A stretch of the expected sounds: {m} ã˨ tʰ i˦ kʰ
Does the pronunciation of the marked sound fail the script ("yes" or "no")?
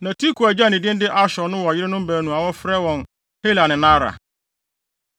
yes